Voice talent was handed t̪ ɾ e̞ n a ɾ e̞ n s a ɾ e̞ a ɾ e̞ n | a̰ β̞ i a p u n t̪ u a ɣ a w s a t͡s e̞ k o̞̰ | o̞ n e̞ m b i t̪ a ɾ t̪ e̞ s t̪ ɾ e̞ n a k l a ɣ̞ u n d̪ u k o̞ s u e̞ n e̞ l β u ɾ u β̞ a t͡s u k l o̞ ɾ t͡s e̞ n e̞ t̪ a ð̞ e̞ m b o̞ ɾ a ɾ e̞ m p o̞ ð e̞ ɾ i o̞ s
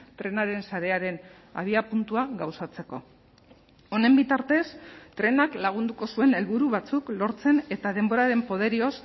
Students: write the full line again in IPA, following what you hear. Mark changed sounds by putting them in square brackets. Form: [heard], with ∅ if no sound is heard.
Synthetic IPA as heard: t̪ ɾ e̞ n a ɾ e̞ n s a ɾ e̞ a ɾ e̞ n | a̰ β̞ i a p u n t̪ u a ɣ a w s a t͡s e̞ k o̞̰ | o̞ n e̞ m b i t̪ a ɾ t̪ e̞ s t̪ ɾ e̞ n a k l a ɣ̞ u n d̪ u k o̞ s u e̞ n e̞ l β u ɾ u β̞ a t͡s u k l o̞ ɾ t͡s e̞ n e̞ t̪ a ð̞ e̞ m b o̞ ɾ a ɾ e̞ m p o̞ ð e̞ ɾ i o̞ s